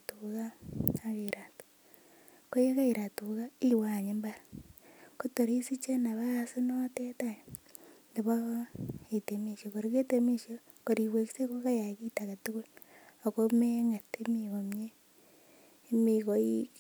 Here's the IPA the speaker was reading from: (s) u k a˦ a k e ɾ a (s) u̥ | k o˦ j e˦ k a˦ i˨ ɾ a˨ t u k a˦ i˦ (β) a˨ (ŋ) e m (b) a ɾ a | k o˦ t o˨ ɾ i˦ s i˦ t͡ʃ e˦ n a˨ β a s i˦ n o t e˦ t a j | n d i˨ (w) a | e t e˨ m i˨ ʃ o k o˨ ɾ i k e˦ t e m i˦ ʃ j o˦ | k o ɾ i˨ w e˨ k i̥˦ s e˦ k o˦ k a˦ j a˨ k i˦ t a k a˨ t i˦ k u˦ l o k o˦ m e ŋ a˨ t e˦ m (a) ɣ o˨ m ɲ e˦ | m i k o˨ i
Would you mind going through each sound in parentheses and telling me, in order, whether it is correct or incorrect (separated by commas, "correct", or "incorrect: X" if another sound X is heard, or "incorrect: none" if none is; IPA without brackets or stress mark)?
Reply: incorrect: t, incorrect: t, incorrect: w, incorrect: ɲ, correct, incorrect: β, incorrect: i